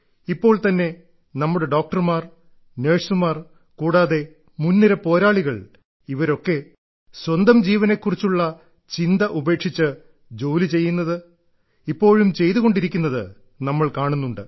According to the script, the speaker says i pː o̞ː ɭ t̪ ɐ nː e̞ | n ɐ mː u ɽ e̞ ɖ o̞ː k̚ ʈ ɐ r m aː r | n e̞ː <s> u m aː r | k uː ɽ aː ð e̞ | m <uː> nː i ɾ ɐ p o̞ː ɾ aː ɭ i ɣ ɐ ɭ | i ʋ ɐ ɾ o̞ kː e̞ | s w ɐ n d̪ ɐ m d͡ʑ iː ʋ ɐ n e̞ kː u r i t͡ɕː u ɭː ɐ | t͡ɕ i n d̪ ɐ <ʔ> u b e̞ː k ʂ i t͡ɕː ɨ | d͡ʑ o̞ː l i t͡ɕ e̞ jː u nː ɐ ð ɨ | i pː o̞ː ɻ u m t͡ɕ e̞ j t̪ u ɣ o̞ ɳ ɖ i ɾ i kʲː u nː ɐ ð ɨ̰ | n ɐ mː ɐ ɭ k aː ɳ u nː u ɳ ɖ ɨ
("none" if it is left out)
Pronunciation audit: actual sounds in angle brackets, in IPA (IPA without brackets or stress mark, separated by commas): ʂ, u, ʔ